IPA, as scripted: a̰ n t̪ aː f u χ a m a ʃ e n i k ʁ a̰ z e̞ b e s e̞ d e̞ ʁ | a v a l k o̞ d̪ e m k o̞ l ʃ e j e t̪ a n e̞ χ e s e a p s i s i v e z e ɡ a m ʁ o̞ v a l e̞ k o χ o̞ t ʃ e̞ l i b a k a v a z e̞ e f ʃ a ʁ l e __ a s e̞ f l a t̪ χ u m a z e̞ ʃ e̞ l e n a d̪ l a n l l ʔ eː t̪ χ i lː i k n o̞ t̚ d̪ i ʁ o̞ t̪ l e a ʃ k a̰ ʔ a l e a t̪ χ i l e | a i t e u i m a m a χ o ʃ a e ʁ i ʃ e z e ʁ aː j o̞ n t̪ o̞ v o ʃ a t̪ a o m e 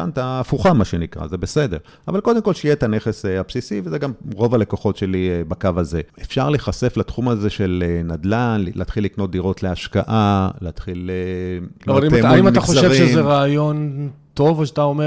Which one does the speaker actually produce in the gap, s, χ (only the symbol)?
χ